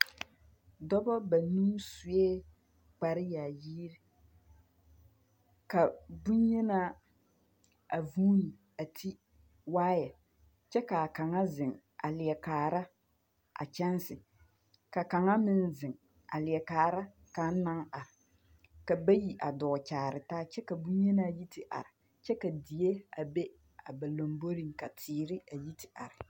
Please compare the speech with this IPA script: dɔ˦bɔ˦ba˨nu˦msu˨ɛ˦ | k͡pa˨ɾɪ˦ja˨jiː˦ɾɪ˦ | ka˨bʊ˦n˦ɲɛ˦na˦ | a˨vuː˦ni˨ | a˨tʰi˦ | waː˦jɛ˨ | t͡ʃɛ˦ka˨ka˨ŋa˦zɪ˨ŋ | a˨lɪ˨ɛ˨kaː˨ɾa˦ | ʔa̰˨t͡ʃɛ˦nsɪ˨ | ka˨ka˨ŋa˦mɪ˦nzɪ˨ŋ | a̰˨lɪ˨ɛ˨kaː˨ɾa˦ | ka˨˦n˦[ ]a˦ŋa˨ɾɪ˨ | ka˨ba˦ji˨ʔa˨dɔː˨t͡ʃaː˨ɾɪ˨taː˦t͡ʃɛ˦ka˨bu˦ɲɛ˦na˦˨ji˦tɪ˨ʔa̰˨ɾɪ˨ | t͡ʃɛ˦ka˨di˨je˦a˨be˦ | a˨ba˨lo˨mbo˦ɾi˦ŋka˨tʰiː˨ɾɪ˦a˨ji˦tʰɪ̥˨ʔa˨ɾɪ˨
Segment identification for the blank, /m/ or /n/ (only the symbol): n